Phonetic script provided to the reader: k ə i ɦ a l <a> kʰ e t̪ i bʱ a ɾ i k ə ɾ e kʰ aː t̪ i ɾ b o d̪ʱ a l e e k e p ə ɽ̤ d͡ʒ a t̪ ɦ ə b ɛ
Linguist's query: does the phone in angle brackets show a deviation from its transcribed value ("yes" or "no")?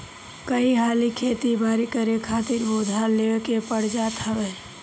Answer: yes